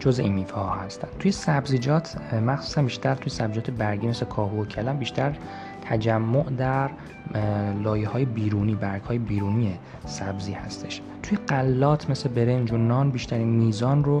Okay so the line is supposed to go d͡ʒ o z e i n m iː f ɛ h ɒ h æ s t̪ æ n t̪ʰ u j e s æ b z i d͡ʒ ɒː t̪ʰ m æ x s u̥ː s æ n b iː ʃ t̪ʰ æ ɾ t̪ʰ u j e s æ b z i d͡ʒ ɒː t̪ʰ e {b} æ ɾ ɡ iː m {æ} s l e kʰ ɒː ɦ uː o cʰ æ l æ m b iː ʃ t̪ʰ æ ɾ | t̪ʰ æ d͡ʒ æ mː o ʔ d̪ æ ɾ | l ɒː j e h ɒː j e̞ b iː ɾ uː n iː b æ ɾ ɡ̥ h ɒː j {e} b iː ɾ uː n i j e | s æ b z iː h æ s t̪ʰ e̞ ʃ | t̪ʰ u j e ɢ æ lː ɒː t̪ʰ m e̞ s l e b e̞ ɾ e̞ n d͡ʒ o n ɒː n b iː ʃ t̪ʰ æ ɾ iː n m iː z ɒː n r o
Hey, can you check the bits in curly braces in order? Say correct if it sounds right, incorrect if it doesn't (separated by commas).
correct, incorrect, correct